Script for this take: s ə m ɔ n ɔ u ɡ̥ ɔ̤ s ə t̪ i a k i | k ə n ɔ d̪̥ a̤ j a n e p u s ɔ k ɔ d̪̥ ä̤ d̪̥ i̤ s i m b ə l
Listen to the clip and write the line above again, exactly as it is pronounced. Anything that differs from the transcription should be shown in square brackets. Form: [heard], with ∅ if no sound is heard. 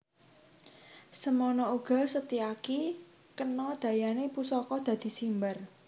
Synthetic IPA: s ə m ɔ n ɔ u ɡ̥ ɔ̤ s ə t̪ i a k i | k ə n ɔ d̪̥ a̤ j a n e p u s ɔ k ɔ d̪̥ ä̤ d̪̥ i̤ s i m b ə [r]